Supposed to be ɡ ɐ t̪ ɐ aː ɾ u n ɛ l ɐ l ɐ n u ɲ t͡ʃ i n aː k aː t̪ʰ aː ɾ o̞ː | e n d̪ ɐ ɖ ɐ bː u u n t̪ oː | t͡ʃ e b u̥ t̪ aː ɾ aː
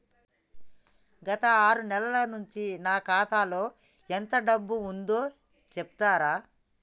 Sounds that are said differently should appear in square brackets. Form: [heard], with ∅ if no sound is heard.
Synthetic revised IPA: ɡ ɐ t̪ ɐ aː ɾ u n ɛ l ɐ l ɐ n u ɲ t͡ʃ i n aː k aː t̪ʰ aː [l] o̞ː | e n [t̪] ɐ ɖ ɐ bː u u n [d̪] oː | t͡ʃ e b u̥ t̪ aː ɾ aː